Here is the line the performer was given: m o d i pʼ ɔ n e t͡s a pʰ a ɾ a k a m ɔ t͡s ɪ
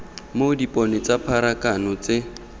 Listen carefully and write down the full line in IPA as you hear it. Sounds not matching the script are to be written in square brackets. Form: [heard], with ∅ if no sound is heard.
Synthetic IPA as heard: m o d i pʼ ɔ n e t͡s a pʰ a ɾ a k a [n] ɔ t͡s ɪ